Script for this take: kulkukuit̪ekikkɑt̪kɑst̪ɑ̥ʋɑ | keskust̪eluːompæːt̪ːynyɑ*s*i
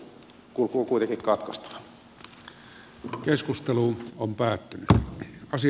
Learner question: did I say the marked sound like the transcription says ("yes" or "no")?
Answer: yes